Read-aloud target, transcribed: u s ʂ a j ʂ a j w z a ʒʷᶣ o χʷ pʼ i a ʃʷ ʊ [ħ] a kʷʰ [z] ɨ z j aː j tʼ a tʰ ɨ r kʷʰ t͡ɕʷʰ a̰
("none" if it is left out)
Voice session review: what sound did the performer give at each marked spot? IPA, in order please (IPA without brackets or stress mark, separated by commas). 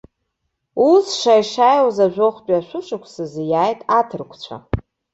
ʂ, s